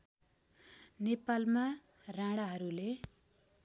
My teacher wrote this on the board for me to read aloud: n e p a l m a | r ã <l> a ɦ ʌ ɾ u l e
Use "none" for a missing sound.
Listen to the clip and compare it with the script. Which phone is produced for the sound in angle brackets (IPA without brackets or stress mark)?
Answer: ɽ